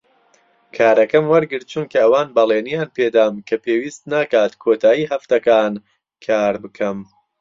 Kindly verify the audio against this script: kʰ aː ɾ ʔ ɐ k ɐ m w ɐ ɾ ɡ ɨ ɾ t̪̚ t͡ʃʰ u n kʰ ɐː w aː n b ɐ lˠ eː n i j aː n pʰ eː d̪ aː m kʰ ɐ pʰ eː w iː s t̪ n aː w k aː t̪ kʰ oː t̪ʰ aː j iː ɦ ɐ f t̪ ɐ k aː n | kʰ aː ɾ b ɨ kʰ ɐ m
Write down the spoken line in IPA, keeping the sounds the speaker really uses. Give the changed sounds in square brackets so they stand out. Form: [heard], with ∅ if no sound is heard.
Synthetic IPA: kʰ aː ɾ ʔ ɐ k ɐ m w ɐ ɾ ɡ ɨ ɾ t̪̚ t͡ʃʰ u n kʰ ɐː w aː n b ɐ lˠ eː n i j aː n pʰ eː d̪ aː m kʰ ɐ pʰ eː w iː s t̪ n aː [∅] k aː t̪ kʰ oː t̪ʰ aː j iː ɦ ɐ f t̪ ɐ k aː n | kʰ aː ɾ b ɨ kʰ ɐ m